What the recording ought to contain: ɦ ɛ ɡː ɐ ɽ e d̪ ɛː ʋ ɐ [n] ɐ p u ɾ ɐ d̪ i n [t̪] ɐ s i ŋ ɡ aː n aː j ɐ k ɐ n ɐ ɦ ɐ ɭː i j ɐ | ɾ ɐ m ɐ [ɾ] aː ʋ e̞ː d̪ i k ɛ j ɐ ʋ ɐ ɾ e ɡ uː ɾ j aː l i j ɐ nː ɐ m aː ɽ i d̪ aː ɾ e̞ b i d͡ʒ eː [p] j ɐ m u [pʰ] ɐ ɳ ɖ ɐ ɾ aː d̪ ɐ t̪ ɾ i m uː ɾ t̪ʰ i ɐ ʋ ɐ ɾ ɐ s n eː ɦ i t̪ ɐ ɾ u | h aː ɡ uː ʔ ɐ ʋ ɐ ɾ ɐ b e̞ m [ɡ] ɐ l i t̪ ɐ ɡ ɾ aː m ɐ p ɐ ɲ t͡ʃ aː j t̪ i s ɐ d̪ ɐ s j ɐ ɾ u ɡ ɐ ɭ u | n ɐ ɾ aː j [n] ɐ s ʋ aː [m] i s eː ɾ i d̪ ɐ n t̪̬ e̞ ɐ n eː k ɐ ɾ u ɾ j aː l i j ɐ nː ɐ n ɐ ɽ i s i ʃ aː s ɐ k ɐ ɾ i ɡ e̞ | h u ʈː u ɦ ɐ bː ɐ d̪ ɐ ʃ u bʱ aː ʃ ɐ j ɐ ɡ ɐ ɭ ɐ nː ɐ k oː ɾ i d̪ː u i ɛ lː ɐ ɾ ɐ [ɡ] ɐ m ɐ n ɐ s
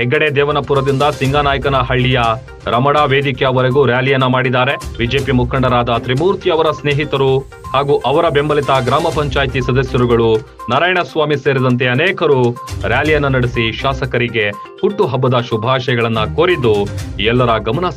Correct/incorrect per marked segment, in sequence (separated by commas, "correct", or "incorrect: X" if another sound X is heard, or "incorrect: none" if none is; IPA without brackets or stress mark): correct, incorrect: d̪, incorrect: ɽ, correct, incorrect: kʰ, incorrect: b, incorrect: ɳ, correct, correct